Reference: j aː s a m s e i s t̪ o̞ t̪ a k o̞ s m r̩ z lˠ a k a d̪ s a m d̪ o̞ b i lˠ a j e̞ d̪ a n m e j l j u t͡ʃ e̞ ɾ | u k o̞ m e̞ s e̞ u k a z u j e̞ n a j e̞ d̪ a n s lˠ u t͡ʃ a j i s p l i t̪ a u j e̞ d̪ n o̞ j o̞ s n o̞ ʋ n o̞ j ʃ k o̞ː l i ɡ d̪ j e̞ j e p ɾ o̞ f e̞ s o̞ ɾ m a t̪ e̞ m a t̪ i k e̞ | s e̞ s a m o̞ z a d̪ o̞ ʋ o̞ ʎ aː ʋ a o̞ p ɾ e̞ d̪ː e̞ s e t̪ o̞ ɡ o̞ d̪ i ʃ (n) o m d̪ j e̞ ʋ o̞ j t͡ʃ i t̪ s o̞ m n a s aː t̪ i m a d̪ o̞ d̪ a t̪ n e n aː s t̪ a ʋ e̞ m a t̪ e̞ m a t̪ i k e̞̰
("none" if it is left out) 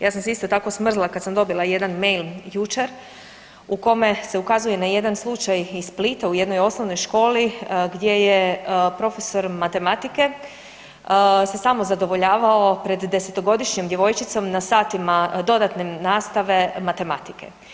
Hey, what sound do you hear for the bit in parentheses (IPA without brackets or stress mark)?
ɲ